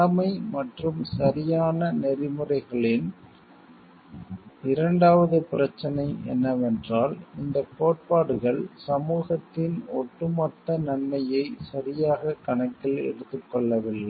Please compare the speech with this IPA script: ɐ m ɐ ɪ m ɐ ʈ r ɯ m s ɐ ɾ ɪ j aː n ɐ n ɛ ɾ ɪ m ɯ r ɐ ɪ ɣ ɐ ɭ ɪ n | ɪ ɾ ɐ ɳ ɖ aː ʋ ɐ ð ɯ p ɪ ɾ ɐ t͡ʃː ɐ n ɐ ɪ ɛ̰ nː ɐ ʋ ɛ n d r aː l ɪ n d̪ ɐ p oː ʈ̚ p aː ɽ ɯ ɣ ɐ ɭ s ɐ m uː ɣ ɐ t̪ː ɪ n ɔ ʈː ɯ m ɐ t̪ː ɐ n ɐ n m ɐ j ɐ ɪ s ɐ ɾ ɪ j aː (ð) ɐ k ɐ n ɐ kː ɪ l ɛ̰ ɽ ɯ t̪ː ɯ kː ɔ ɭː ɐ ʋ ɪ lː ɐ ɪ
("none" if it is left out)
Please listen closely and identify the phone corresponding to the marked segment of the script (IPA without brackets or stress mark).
ɣ